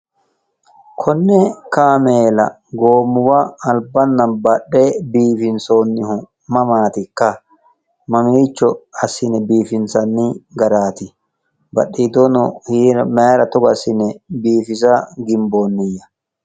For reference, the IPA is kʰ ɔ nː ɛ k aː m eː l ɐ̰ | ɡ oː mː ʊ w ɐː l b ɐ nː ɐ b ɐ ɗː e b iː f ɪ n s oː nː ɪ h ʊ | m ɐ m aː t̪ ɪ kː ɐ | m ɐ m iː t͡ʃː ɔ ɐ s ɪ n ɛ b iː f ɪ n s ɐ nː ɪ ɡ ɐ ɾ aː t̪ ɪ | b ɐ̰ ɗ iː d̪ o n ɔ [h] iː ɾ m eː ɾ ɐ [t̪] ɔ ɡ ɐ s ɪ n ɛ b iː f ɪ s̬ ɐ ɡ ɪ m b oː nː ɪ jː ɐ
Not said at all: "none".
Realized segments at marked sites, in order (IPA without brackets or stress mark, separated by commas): h, t̪